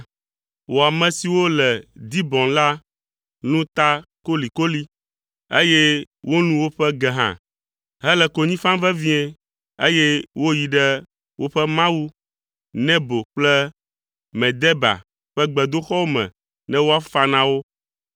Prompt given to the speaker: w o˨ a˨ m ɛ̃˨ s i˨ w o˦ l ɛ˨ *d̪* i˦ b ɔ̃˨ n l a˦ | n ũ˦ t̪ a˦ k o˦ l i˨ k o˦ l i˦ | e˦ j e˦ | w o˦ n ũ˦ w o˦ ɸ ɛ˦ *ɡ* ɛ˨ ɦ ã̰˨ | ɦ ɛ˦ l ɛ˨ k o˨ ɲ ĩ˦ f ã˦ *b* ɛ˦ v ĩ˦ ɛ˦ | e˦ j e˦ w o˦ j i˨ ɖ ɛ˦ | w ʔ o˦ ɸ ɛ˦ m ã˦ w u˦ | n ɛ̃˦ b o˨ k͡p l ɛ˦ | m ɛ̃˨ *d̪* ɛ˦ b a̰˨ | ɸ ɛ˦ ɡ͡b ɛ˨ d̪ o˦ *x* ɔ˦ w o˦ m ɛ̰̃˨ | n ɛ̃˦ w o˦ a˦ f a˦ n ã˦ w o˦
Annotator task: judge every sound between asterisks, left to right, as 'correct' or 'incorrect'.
correct, correct, incorrect: v, correct, correct

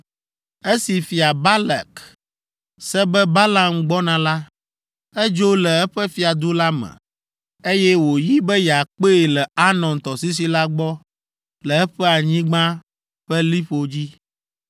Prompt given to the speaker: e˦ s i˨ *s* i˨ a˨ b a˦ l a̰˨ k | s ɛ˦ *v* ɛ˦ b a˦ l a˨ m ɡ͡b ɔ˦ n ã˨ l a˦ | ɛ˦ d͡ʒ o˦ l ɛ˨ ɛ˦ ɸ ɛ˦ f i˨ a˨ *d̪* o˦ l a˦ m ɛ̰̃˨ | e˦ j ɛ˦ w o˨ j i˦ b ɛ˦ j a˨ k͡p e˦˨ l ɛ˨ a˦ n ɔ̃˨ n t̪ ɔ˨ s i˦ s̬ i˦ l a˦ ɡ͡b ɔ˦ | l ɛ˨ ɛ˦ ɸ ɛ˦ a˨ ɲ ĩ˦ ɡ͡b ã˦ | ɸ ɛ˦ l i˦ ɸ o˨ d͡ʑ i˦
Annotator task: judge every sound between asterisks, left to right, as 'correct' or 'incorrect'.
incorrect: f, incorrect: b, correct

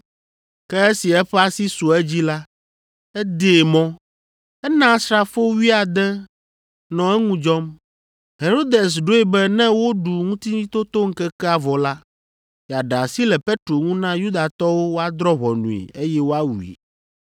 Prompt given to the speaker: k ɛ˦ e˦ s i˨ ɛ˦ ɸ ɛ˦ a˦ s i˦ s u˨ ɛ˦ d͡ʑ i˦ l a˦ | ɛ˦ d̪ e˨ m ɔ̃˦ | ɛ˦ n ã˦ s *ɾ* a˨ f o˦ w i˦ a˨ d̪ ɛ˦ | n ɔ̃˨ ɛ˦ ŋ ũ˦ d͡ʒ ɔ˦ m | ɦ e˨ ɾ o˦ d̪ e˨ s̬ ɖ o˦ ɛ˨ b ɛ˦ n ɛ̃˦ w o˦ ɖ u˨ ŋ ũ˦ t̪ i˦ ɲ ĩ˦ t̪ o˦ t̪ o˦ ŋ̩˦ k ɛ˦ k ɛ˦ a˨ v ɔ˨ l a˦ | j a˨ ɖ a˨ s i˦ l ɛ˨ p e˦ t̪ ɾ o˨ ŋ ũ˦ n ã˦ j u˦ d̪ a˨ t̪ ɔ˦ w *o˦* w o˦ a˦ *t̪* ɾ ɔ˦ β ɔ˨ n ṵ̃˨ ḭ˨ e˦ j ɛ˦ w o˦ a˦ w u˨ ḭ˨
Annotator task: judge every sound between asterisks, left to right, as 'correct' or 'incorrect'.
correct, correct, incorrect: d̪

